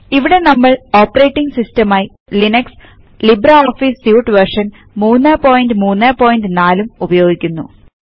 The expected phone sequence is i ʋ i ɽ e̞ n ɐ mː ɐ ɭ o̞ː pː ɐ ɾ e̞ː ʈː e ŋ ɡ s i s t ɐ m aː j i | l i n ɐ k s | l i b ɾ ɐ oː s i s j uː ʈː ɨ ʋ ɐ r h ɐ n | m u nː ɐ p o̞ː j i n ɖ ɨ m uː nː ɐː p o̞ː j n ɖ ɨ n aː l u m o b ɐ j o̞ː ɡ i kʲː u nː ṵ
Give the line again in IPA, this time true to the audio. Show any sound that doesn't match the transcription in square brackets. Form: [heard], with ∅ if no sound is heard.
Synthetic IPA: i ʋ i ɽ e̞ n ɐ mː ɐ ɭ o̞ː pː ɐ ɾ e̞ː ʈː [i] ŋ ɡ s i s t ɐ m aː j i | l i n ɐ k s | l i b ɾ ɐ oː [f] i s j uː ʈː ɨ ʋ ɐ r [ʂ] ɐ n | m [uː] nː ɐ p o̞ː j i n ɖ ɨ m uː nː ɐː p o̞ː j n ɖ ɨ n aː l u m [u] b ɐ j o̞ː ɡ i kʲː u nː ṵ

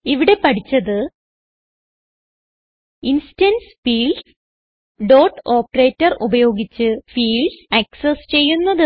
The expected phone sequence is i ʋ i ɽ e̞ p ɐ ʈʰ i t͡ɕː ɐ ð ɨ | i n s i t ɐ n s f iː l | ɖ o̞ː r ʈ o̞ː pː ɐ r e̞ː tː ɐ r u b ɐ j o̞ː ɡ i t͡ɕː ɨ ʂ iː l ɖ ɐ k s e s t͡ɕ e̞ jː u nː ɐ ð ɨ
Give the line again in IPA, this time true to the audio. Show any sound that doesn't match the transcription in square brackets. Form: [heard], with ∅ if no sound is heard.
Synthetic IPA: i ʋ i ɽ e̞ p ɐ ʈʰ i t͡ɕː ɐ ð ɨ | i n s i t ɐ n s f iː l | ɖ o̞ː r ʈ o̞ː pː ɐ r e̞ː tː ɐ r u b ɐ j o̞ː ɡ i t͡ɕː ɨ [f] iː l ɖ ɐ k s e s t͡ɕ e̞ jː u nː ɐ ð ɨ

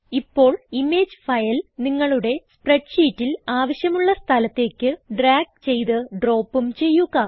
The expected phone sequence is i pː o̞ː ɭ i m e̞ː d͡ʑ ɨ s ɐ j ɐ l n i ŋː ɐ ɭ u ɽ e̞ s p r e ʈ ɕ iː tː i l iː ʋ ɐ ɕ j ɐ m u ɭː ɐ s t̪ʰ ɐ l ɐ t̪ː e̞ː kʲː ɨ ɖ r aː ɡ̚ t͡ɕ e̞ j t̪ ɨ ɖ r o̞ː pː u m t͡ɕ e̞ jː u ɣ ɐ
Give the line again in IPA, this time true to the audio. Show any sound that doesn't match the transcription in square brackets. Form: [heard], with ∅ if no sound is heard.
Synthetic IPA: i pː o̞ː ɭ i m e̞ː d͡ʑ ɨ [f] ɐ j ɐ l n i ŋː ɐ ɭ u ɽ e̞ s p r e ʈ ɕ iː tː i l [aː] ʋ ɐ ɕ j ɐ m u ɭː ɐ s t̪ʰ ɐ l ɐ t̪ː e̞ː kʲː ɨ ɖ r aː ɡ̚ t͡ɕ e̞ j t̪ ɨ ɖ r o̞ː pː u m t͡ɕ e̞ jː u ɣ ɐ

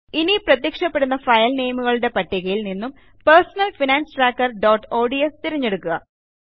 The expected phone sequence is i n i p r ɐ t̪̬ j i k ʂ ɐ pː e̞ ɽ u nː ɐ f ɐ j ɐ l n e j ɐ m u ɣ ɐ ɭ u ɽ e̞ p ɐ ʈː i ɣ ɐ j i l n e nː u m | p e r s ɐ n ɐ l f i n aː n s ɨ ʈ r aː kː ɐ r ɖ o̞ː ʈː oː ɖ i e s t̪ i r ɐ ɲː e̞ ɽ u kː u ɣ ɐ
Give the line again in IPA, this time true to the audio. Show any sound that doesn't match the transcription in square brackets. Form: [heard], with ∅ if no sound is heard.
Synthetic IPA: i n i p r ɐ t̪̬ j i k ʂ ɐ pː e̞ ɽ u nː ɐ f ɐ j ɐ l n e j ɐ m u ɣ ɐ ɭ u ɽ e̞ p ɐ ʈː i ɣ ɐ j i l n [i] nː u m | p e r s ɐ n ɐ l f i n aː n s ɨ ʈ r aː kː ɐ r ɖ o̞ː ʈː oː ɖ i e s t̪ i [ɾ] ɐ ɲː e̞ ɽ u kː u ɣ ɐ

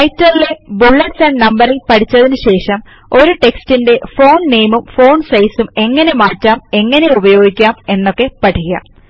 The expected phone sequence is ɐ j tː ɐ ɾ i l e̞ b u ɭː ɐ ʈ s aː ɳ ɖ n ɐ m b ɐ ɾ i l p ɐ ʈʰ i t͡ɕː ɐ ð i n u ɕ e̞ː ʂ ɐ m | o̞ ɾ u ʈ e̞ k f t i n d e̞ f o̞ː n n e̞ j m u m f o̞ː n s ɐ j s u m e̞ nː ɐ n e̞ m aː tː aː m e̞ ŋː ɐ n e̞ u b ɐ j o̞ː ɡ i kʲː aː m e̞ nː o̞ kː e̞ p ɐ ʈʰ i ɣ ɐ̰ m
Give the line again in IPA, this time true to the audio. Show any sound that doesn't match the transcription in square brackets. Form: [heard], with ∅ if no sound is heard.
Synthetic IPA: ɐ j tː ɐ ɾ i l e̞ b u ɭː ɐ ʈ s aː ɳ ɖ n ɐ m b ɐ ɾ i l p ɐ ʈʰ i t͡ɕː ɐ ð i n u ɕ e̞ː ʂ ɐ m | o̞ ɾ u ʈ e̞ k [s] t i n d e̞ f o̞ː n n e̞ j m u m f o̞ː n s ɐ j s u m e̞ [ŋː] ɐ n e̞ m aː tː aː m e̞ ŋː ɐ n e̞ u b ɐ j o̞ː ɡ i kʲː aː m e̞ nː o̞ kː e̞ p ɐ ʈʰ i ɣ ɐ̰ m

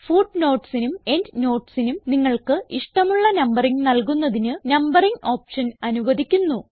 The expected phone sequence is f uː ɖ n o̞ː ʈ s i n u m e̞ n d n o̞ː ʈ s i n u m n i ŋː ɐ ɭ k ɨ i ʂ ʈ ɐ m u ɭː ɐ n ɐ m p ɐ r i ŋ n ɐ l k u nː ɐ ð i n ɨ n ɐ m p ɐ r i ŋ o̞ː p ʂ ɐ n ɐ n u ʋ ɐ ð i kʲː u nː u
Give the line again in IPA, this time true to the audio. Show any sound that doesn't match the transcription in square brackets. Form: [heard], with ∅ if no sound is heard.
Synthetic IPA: f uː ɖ n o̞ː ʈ s i n u m e̞ n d n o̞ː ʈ s i n u m n i ŋː ɐ ɭ k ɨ i ʂ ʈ ɐ m u ɭː ɐ n ɐ m [b] ɐ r i ŋ n ɐ l k u nː ɐ ð i n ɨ n ɐ m [b] ɐ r i ŋ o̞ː p ʂ ɐ n ɐ n u ʋ ɐ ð i kʲː u nː u

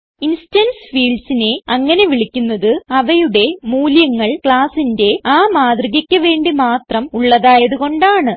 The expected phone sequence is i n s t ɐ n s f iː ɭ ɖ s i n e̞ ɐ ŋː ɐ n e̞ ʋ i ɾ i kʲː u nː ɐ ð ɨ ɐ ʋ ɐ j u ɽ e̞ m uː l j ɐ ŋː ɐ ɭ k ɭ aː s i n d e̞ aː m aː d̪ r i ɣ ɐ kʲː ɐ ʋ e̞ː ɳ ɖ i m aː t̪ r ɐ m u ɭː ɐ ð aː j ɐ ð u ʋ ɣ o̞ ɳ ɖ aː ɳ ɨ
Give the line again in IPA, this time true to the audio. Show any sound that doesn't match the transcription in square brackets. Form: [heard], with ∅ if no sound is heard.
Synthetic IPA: i n s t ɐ n s f iː ɭ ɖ s i n e̞ ɐ ŋː ɐ n e̞ ʋ i [ɭ] i kʲː u nː ɐ ð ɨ ɐ ʋ ɐ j u ɽ e̞ m uː l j ɐ ŋː ɐ ɭ k ɭ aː s i n d e̞ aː m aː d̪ r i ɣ ɐ kʲː ɐ ʋ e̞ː ɳ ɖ i m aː t̪ r ɐ m u ɭː ɐ ð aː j ɐ ð u [∅] ɣ o̞ ɳ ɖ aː ɳ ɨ

